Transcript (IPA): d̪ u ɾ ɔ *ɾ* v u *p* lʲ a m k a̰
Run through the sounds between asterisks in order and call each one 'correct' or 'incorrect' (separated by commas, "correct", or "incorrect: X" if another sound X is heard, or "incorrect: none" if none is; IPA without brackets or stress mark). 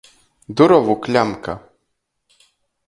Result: incorrect: none, incorrect: k